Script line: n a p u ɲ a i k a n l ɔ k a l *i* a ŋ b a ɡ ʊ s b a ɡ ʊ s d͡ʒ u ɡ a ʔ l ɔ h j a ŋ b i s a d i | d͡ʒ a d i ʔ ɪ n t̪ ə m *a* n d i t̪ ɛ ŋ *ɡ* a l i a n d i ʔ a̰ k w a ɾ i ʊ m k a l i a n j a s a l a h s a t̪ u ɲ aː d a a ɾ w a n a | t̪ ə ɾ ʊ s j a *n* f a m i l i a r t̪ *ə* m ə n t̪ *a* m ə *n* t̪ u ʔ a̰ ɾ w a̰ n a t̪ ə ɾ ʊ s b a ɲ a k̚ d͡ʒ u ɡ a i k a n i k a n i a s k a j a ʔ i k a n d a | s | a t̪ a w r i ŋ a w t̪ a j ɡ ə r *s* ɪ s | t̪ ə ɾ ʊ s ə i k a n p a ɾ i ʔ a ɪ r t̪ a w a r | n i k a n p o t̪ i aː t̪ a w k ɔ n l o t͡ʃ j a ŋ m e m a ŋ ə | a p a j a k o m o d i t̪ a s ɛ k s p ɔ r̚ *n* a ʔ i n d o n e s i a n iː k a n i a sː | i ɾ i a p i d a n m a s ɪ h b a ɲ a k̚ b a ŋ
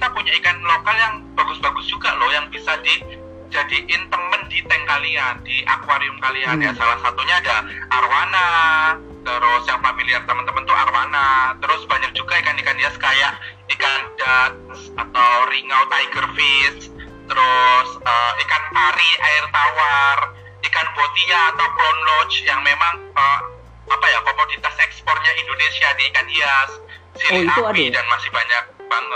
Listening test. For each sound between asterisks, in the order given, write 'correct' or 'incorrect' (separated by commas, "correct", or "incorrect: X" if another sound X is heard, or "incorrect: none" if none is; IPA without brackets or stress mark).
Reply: incorrect: j, incorrect: ə, incorrect: k, incorrect: ŋ, correct, incorrect: ə, correct, incorrect: f, incorrect: ɲ